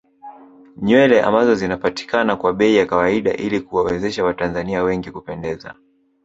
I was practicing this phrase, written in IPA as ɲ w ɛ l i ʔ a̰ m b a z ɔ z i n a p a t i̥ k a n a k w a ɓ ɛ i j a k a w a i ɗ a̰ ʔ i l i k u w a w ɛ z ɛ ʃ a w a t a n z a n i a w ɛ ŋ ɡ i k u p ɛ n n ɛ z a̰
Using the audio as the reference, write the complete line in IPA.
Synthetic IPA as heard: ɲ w ɛ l ɛ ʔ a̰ m b a z ɔ z i n a p a t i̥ k a n a k w a ɓ ɛ i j a k a w a i ɗ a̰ ʔ i l i k u w a w ɛ z ɛ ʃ a w a t a n z a n i a w ɛ ŋ ɡ i k u p ɛ n d ɛ z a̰